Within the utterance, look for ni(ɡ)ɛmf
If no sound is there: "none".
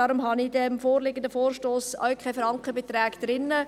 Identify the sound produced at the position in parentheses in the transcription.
d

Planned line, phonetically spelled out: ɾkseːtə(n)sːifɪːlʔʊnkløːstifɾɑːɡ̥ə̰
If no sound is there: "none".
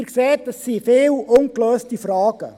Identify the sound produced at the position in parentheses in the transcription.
none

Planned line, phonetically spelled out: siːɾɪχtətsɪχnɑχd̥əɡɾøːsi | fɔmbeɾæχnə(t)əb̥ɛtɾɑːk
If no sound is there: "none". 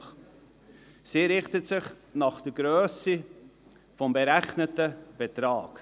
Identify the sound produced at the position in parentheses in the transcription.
t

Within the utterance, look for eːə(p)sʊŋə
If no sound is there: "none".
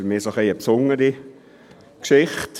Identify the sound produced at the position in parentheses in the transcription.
p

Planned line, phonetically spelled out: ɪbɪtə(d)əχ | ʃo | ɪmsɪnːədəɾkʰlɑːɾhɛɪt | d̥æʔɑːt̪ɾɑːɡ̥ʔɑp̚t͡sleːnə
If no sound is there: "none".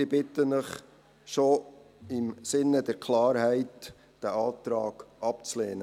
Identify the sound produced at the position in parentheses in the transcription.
n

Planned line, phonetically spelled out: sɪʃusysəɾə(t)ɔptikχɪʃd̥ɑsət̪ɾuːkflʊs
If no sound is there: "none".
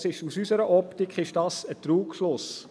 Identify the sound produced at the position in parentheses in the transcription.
ʔ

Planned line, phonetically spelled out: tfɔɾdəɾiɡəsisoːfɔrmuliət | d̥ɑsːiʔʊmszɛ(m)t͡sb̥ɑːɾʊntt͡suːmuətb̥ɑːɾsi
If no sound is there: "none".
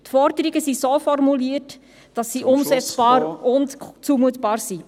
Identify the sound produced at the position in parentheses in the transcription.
none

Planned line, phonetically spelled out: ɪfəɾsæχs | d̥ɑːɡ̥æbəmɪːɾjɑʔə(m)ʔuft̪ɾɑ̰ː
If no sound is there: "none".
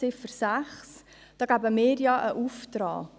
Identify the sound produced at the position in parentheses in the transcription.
none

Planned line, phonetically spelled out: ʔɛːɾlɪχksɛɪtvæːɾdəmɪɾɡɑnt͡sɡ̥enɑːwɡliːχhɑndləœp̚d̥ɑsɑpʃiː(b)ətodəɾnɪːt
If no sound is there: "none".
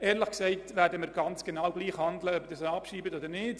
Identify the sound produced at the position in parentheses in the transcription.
b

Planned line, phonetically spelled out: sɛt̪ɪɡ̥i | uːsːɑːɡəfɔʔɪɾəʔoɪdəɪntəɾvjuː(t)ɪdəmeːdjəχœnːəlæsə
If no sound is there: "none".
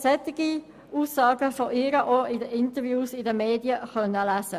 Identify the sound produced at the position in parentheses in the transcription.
s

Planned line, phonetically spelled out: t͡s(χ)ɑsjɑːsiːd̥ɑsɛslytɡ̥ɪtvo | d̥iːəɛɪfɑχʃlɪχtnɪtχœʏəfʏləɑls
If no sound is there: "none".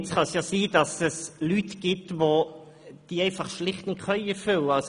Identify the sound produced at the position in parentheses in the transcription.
χ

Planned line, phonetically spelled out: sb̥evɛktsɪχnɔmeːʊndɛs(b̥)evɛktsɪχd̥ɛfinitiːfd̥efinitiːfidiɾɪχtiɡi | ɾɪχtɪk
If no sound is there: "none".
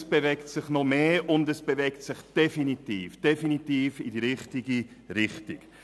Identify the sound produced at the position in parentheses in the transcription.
b̥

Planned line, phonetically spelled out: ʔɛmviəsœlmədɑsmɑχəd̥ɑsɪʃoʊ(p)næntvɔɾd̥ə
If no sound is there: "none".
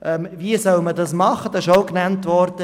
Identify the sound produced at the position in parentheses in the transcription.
k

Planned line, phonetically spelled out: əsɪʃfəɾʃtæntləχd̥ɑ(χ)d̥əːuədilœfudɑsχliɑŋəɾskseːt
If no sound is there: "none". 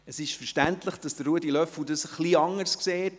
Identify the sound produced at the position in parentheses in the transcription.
s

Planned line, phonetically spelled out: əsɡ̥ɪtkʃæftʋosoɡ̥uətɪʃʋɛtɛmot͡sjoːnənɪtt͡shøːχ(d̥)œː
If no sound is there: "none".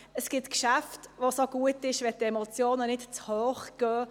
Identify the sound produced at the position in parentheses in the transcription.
ɡ̥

